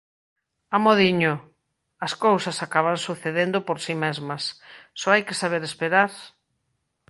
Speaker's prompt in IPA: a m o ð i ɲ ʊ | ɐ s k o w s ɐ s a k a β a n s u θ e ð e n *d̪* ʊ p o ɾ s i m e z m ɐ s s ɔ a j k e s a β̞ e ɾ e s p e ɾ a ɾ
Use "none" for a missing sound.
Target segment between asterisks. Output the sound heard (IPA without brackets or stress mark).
d̪